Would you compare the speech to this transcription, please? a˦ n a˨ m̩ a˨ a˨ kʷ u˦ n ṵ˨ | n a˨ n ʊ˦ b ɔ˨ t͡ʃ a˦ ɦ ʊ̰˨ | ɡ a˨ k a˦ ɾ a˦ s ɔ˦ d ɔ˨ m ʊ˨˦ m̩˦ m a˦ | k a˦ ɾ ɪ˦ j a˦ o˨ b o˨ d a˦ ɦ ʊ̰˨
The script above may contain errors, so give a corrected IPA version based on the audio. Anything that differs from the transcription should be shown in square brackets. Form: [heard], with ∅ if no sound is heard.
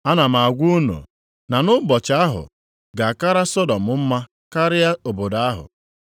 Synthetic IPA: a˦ n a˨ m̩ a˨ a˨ [ɡʷ] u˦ n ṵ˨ | n a˨ n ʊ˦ b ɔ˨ t͡ʃ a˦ ɦ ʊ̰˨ | ɡ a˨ k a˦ ɾ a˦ s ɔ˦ d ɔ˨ m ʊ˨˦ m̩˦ m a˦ | k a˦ ɾ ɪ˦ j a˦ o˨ b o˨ d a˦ ɦ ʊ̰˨